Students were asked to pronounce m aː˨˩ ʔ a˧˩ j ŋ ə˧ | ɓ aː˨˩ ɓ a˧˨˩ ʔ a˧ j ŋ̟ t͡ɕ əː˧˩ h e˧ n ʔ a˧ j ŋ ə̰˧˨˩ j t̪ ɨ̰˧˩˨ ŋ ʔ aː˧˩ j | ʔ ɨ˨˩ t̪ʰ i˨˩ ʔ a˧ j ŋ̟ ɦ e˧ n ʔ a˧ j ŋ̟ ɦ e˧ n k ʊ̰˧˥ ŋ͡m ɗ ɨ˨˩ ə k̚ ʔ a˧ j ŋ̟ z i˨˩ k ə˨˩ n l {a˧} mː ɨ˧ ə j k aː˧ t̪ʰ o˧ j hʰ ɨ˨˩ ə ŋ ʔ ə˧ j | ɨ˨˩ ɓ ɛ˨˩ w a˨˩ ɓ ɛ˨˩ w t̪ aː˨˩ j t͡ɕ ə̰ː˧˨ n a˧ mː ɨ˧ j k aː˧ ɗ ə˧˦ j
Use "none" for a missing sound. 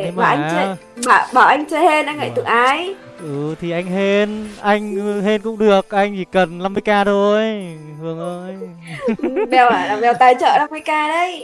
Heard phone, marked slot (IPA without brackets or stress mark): a˧